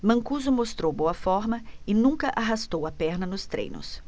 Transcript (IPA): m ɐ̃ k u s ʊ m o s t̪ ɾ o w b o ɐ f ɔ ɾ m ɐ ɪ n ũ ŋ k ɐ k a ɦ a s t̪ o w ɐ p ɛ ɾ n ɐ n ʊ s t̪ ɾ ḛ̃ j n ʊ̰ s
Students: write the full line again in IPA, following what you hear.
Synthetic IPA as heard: m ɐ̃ k u z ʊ m o s t̪ ɾ o w b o ɐ f ɔ ɾ m ɐ ɪ n ũ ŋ k ɐ ʔ a ɦ a s t̪ o w ɐ p ɛ ɾ n ɐ n ʊ s t̪ ɾ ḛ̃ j n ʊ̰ s